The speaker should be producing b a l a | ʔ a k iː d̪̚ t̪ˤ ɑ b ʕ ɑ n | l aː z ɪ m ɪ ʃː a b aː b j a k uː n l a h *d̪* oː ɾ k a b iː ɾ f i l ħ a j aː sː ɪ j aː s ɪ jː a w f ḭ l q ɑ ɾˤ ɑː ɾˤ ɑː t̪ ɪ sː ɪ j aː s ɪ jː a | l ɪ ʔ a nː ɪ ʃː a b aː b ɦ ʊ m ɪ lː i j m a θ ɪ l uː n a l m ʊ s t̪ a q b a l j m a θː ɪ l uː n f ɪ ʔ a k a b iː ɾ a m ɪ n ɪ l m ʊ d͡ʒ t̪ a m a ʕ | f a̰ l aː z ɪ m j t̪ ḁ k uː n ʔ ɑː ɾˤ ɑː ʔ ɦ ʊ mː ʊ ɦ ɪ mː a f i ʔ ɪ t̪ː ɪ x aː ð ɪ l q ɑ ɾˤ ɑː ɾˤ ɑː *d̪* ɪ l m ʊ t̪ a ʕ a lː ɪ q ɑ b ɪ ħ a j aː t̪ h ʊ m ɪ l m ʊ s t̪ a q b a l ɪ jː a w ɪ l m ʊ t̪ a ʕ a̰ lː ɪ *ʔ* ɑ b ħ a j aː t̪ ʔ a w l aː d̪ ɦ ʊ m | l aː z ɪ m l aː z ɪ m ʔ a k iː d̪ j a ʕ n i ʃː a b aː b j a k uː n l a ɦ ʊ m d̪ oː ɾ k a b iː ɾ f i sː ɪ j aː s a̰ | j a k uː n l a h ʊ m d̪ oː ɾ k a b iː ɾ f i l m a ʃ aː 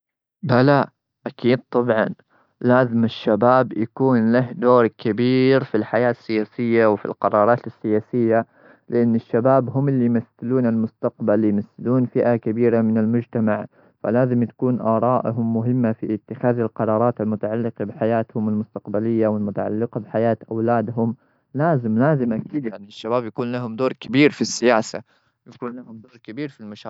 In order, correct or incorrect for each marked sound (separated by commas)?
correct, incorrect, incorrect